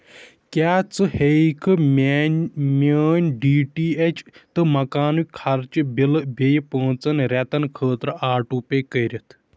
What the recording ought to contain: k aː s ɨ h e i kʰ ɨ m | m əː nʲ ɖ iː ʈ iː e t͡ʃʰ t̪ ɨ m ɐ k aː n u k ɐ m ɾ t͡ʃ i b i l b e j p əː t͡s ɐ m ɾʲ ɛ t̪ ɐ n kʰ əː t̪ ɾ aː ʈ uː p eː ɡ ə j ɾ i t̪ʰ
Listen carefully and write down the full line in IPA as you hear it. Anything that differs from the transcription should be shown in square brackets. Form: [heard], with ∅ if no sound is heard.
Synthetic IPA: k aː [t͡s] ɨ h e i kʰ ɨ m | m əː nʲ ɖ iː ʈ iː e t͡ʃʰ t̪ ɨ m ɐ k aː n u [kʰ] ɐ [∅] ɾ t͡ʃ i b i l b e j p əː t͡s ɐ [n] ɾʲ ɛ t̪ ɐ n kʰ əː t̪ ɾ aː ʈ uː p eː [k] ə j ɾ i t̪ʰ